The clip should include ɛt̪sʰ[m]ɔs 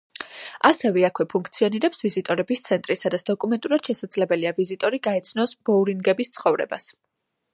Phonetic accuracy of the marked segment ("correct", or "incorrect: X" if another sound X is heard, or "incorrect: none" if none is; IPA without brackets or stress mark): incorrect: n